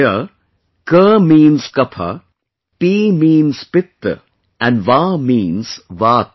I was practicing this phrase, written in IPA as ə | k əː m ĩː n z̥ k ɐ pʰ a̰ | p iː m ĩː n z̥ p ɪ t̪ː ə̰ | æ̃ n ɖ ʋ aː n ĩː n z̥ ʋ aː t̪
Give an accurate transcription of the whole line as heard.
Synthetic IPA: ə | k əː m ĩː n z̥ k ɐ pʰ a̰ | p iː m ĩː n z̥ p ɪ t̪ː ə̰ | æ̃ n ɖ ʋ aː m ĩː n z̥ ʋ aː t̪